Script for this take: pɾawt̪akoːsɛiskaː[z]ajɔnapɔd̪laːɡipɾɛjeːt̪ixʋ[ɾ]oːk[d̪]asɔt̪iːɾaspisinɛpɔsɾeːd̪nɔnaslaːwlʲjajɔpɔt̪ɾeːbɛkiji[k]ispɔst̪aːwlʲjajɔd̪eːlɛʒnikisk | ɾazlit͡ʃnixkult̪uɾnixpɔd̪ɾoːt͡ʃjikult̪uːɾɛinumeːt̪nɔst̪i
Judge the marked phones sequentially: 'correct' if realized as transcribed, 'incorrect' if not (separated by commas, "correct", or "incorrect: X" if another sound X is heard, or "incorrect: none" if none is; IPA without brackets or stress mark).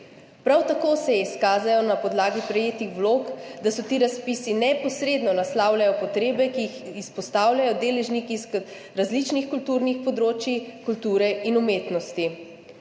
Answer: correct, incorrect: l, correct, incorrect: x